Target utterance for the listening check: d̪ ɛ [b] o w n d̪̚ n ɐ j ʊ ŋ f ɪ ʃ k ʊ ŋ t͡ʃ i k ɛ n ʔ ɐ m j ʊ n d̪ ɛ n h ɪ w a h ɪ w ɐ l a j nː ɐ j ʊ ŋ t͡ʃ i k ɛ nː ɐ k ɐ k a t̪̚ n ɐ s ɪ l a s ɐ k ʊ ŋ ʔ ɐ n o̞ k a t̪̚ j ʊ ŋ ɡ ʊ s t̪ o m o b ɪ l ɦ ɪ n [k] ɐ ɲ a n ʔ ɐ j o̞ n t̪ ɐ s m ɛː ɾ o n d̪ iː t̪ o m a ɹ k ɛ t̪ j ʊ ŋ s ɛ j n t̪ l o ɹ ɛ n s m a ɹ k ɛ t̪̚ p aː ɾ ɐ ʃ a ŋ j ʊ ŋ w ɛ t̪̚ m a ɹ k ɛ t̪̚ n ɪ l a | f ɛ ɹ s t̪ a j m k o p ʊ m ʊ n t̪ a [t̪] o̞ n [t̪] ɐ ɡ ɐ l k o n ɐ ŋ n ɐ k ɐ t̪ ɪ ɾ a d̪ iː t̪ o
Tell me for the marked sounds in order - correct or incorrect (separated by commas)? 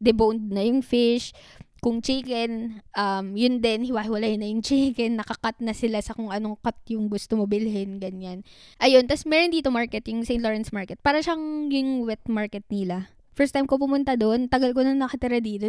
correct, incorrect, incorrect, correct